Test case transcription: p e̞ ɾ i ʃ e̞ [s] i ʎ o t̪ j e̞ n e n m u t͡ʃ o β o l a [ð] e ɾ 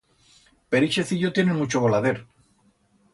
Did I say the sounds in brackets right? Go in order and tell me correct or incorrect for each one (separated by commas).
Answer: incorrect, correct